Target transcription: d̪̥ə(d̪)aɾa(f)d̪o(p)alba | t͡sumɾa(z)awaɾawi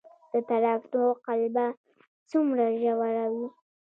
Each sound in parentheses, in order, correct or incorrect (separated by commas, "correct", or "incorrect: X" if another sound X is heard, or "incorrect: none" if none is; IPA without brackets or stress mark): incorrect: t̪, correct, incorrect: q, incorrect: ʒ